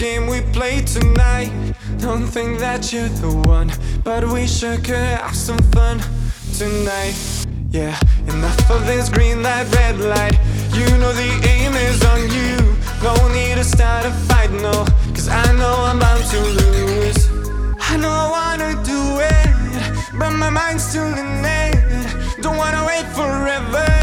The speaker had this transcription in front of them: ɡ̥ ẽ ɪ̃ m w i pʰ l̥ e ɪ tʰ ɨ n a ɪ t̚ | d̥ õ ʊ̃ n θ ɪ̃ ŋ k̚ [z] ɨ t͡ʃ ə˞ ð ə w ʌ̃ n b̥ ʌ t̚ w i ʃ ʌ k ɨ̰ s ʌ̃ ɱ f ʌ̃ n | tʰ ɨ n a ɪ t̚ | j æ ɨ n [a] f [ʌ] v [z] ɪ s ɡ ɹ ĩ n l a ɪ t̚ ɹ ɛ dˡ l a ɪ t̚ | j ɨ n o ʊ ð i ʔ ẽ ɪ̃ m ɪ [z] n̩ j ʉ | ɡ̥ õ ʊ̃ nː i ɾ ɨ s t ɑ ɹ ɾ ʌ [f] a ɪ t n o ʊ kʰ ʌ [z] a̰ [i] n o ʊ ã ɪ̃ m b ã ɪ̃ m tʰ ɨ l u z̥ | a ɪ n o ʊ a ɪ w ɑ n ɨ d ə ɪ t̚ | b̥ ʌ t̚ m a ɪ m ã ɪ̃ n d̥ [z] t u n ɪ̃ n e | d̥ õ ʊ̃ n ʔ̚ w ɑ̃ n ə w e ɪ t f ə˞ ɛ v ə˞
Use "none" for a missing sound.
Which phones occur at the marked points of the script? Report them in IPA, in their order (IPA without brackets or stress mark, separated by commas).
ð, ʌ, ʌ, ð, z, f, z, ɪ, s